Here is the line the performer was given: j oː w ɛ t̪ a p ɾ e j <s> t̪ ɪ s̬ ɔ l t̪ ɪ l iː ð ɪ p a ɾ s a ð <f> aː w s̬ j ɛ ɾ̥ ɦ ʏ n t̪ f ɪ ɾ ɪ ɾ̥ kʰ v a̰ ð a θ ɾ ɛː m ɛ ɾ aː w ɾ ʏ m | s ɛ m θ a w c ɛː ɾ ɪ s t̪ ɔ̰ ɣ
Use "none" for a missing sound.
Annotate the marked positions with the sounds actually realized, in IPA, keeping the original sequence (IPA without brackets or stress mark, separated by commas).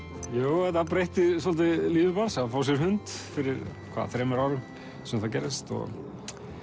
h, f